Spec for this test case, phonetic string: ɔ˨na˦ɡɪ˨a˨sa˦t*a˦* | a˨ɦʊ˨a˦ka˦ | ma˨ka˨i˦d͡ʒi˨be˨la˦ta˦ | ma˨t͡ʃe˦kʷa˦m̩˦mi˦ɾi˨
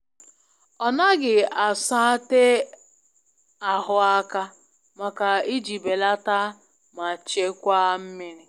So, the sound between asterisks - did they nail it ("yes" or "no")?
no